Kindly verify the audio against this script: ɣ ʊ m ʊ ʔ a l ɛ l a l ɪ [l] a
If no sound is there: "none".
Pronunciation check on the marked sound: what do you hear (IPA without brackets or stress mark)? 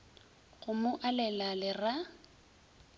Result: r